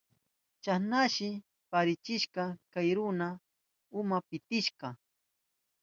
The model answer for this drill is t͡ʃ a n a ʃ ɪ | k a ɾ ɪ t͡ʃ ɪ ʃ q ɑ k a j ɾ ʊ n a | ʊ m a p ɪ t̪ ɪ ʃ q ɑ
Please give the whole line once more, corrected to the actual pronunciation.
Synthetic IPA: t͡ʃ a n a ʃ ɪ | p a ɾ ɪ t͡ʃ ɪ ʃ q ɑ k a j ɾ ʊ n a | ʊ m a p ɪ t̪ ɪ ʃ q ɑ